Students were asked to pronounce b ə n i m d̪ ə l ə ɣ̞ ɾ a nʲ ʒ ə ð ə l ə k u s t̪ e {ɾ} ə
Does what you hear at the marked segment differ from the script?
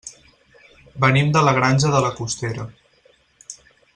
no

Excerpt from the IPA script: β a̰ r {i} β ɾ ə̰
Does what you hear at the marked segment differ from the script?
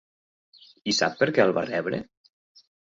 yes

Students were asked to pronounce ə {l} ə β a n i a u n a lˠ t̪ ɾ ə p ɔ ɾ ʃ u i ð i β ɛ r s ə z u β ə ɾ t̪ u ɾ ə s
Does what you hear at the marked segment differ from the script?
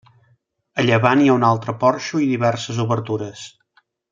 yes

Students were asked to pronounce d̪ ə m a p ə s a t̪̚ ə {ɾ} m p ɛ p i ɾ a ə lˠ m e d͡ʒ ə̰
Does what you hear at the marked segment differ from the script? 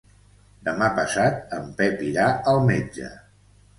yes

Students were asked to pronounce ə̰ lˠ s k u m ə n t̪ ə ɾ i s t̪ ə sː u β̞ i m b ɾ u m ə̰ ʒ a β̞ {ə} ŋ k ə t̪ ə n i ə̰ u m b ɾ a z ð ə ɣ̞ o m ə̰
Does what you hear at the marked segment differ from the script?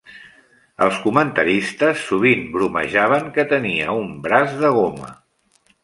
no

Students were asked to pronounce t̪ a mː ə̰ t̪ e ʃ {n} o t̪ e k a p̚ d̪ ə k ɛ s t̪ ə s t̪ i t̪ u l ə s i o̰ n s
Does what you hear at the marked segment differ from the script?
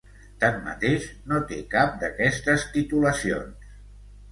no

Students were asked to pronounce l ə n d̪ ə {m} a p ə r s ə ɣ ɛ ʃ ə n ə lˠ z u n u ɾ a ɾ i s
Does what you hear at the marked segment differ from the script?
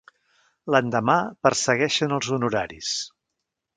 no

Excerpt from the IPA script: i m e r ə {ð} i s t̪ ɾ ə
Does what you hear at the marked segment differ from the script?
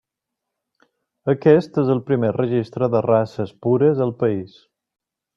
yes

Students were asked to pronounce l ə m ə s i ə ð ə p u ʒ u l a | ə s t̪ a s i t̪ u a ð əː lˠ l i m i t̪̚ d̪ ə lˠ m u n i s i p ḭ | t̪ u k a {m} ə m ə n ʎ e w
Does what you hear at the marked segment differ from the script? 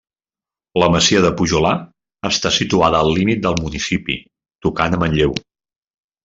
yes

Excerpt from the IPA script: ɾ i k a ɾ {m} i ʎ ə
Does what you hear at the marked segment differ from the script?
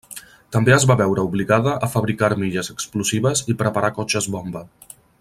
no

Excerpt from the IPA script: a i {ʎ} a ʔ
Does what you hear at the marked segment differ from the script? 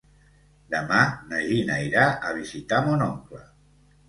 yes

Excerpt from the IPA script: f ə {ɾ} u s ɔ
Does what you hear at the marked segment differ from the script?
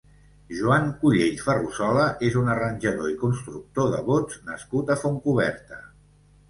yes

